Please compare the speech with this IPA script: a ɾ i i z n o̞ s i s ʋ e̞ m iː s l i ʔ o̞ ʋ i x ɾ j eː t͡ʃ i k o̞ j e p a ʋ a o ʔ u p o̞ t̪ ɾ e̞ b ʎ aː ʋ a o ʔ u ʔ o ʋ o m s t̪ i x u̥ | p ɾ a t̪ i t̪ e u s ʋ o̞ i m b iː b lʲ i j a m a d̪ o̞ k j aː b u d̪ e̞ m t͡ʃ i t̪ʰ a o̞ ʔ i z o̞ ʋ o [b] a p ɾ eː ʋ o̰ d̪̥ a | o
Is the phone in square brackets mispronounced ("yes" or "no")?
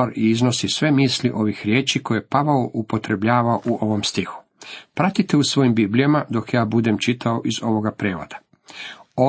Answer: yes